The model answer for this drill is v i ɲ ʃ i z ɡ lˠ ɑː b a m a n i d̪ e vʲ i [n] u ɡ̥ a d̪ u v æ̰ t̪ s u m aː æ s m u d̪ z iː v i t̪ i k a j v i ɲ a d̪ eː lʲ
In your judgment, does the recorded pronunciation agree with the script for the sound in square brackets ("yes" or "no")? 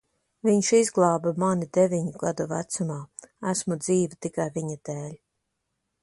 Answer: no